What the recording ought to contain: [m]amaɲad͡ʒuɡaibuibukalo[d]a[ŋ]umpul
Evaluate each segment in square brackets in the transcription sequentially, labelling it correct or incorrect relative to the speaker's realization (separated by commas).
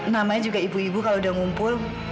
incorrect, correct, correct